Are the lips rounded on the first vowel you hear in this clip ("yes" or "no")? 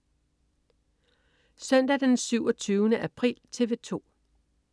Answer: yes